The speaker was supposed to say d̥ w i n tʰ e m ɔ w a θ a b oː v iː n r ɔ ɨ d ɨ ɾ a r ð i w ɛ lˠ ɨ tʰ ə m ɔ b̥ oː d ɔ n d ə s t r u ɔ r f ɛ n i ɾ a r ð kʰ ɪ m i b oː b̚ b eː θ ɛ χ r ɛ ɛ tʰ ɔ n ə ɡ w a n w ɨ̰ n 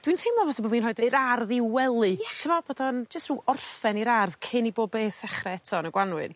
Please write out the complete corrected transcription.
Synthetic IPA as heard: d̥ w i n tʰ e m ɔ v a θ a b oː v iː n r ɔ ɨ d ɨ ɾ a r ð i w ɛ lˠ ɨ tʰ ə m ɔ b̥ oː d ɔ n d͡ʒ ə s t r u ɔ r f ɛ n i ɾ a r ð kʰ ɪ n i b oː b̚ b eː θ ɛ χ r ɛ ɛ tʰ ɔ n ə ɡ w a n w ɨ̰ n

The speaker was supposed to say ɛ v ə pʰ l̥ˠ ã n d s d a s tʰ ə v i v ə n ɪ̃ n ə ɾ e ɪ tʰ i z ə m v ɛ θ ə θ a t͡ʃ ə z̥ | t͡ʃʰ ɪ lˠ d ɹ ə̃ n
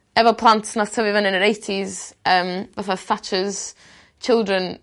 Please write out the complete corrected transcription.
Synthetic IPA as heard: ɛ v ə pʰ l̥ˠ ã n t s n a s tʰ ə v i v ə n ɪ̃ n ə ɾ e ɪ tʰ i z ə m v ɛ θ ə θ a t͡ʃ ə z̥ | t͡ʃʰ ɪ lˠ d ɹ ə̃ n

